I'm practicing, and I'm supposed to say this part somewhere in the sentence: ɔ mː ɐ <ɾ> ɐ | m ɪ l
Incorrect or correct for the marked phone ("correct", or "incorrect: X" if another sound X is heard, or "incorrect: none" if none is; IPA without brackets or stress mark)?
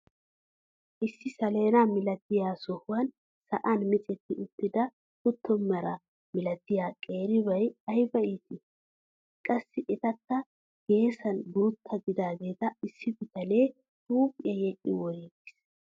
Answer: correct